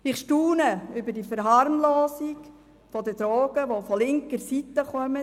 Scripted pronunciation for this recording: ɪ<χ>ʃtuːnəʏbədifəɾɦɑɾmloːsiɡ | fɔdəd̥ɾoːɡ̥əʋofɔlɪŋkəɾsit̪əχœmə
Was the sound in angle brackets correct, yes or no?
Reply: yes